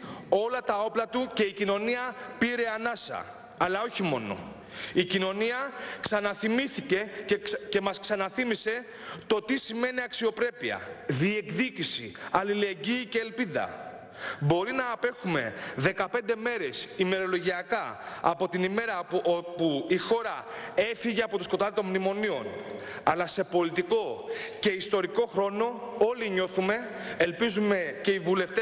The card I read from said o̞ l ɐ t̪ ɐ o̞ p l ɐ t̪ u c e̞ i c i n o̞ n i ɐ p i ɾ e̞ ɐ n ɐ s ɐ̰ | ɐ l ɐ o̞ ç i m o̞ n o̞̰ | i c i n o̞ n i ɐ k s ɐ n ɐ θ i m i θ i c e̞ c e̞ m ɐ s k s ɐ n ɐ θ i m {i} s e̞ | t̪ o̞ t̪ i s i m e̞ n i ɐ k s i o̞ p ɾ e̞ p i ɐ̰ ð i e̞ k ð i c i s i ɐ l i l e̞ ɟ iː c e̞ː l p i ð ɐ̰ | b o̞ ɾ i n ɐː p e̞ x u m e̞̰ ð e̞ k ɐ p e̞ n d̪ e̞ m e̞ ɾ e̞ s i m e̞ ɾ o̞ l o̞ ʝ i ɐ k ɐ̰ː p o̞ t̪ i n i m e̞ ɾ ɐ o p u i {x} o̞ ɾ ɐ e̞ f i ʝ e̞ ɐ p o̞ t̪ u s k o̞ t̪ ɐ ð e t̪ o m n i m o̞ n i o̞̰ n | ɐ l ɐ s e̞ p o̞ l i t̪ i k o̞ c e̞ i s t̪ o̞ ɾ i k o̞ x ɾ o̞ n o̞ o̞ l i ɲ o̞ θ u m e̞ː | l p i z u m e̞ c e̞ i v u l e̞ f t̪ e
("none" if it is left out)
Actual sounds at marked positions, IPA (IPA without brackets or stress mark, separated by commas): i, x